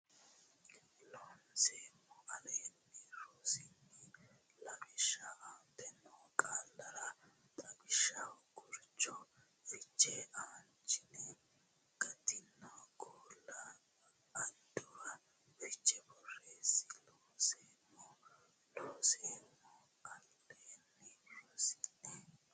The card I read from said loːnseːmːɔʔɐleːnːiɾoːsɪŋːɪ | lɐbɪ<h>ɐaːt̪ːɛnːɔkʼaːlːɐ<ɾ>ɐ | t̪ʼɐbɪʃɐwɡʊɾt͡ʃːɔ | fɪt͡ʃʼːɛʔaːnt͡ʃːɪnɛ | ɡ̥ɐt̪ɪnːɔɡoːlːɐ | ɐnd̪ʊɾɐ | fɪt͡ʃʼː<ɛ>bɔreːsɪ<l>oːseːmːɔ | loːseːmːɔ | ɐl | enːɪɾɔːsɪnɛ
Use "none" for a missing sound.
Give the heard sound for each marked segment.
ʃ, ɾ, ɛ, l

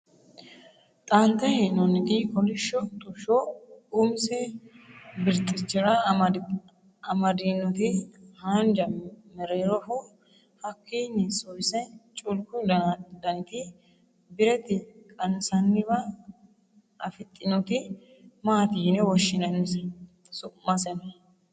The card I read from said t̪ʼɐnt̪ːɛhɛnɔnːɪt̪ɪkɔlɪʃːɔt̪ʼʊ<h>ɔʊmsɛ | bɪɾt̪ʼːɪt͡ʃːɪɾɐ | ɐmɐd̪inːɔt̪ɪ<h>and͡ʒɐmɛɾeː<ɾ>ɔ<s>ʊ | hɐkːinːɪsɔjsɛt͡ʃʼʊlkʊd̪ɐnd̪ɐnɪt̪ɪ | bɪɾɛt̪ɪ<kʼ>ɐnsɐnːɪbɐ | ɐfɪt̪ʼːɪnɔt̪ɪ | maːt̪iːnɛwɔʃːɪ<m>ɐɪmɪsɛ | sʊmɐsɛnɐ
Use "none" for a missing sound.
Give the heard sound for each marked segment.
ʃ, h, ɾ, f, kʼ, n

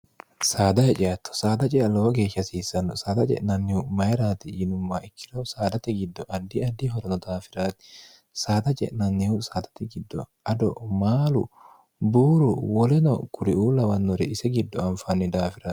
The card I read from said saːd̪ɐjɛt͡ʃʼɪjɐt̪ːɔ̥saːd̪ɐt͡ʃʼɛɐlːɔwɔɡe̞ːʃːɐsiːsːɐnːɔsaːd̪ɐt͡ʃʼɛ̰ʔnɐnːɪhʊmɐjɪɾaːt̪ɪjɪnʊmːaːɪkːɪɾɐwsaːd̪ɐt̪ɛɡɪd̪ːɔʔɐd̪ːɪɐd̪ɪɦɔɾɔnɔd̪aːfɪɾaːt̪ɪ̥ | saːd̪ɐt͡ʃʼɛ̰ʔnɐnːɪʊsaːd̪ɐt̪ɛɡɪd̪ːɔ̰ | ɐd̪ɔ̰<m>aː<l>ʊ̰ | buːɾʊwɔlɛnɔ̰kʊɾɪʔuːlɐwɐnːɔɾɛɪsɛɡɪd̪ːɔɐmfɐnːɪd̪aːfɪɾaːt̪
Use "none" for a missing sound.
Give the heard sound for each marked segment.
m, l

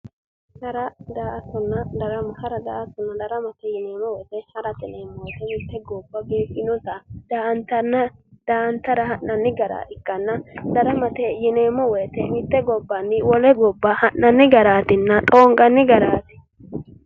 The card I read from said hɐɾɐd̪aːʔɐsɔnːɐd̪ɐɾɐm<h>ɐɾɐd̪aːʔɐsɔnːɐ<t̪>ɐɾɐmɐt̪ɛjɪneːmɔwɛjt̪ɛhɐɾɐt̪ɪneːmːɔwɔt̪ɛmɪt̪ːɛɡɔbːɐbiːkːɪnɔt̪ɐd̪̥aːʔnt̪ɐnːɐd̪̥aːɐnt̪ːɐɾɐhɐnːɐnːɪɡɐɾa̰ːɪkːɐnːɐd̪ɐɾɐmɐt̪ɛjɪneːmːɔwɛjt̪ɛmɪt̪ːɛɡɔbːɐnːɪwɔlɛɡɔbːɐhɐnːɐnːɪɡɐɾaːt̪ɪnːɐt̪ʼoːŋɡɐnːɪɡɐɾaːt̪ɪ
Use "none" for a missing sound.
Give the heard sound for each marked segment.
h, d̪

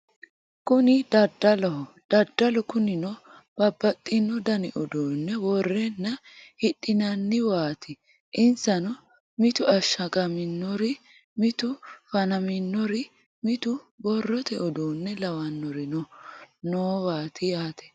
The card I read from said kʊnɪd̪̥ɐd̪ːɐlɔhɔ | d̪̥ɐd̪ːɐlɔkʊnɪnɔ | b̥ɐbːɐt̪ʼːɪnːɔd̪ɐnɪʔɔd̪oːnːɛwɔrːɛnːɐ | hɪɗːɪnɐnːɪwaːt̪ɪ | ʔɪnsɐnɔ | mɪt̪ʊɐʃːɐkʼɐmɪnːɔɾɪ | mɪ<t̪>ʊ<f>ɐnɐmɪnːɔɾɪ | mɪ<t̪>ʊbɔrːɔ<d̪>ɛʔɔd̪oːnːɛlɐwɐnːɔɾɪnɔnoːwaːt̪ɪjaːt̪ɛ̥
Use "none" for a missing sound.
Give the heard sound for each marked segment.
t̪, f, t̪, t̪

